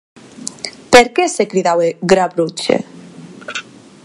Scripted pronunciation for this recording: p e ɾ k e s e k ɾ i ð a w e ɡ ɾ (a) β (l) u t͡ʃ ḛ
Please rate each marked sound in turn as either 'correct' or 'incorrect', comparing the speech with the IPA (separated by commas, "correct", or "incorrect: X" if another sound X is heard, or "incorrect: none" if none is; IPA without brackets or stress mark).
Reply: correct, incorrect: ɾ